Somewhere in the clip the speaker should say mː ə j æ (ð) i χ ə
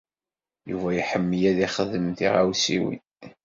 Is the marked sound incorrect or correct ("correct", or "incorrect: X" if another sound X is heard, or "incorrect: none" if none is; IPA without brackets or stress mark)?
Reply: correct